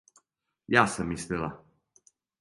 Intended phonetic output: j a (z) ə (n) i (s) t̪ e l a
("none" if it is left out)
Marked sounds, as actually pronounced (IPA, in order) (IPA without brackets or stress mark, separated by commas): s, m, s